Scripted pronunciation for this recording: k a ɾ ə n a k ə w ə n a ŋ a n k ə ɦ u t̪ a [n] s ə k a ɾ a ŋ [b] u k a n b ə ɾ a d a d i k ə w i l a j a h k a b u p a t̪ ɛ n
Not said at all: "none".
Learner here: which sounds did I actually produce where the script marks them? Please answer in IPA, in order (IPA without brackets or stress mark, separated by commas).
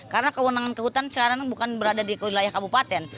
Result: n, b